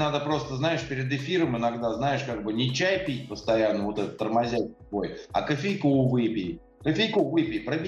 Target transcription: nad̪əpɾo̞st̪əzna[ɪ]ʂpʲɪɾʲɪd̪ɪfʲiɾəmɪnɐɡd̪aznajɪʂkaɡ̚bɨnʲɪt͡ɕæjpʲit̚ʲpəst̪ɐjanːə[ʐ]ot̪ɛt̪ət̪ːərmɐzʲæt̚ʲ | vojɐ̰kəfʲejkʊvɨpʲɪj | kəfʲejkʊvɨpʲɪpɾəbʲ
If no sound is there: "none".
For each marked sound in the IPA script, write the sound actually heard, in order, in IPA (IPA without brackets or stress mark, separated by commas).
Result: ɪ, v